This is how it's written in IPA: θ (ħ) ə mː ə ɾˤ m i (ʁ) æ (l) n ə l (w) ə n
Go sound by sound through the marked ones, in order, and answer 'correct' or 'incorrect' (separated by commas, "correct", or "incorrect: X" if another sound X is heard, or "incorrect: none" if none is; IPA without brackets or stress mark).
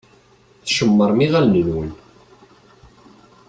incorrect: ʃ, correct, correct, correct